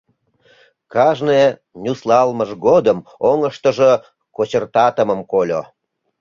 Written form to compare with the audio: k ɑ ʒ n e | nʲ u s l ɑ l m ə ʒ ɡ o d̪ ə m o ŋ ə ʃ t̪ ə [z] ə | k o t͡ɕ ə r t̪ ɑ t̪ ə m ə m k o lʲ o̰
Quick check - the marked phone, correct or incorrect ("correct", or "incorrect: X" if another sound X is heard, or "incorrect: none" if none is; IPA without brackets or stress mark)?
incorrect: ʒ